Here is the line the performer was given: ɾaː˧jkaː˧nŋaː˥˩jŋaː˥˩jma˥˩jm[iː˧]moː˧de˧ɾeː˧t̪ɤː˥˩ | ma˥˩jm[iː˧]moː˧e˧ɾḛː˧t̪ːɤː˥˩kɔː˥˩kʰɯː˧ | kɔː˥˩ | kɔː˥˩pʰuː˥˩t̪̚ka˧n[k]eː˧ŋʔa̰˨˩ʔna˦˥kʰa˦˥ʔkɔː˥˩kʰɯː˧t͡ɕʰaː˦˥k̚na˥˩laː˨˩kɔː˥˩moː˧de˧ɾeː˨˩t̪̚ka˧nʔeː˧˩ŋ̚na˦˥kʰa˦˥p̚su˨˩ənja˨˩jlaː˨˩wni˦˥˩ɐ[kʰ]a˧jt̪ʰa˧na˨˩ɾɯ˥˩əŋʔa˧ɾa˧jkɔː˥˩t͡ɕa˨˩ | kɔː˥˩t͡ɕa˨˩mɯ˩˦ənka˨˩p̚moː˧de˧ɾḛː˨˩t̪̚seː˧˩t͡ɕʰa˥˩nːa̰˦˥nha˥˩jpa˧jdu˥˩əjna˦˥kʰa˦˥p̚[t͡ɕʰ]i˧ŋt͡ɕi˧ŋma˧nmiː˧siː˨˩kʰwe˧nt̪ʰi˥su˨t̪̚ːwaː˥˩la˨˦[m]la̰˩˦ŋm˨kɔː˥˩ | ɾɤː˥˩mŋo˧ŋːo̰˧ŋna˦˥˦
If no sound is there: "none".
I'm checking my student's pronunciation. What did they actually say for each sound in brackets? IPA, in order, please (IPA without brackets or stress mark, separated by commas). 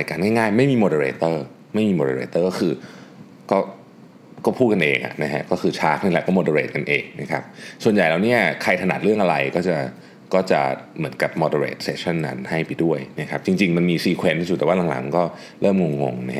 iː˧, iː˧, ʔ, kʰ, t͡ɕ, ŋ